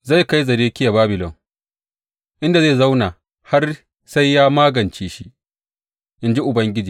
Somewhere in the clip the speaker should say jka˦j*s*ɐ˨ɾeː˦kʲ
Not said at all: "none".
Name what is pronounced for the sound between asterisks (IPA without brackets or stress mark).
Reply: z